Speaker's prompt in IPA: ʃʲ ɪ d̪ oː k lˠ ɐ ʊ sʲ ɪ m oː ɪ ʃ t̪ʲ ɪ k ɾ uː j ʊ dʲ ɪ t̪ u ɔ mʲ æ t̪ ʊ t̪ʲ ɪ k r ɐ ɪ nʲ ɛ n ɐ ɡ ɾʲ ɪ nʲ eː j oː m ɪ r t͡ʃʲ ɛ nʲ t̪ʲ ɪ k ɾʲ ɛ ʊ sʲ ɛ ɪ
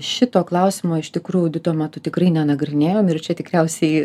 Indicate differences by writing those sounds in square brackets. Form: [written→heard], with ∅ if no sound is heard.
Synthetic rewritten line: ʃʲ ɪ [d̪→t̪] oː k lˠ ɐ ʊ sʲ ɪ m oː ɪ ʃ t̪ʲ ɪ k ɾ uː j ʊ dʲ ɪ t̪ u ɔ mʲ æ t̪ ʊ t̪ʲ ɪ k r ɐ ɪ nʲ ɛ n ɐ ɡ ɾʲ ɪ nʲ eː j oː m ɪ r t͡ʃʲ ɛ [nʲ→∅] t̪ʲ ɪ k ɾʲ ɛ ʊ sʲ ɛ ɪ